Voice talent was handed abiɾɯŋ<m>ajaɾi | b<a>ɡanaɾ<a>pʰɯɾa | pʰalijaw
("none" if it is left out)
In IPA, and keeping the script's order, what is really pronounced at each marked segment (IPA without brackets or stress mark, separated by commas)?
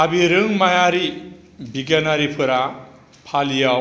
m, i, i